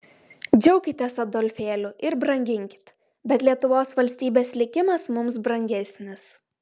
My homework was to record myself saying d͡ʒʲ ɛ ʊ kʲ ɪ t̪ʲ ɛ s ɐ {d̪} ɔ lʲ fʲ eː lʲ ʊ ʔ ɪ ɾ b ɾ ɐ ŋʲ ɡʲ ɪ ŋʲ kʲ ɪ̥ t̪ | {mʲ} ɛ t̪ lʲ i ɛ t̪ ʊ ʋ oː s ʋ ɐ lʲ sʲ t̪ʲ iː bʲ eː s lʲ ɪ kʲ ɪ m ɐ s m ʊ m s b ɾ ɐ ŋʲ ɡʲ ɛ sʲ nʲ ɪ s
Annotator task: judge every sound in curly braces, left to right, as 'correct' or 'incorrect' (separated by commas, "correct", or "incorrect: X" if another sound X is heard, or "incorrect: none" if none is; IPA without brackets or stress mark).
correct, incorrect: bʲ